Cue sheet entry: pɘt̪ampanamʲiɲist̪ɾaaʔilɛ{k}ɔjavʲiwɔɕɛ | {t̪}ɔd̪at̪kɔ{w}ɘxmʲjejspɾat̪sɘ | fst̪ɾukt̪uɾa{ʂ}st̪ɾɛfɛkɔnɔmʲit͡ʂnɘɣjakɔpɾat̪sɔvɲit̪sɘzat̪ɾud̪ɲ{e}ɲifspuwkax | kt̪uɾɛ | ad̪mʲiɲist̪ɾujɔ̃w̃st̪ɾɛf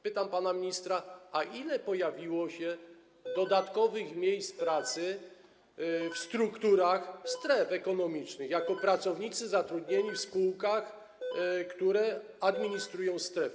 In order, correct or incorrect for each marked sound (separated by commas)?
incorrect, incorrect, incorrect, incorrect, correct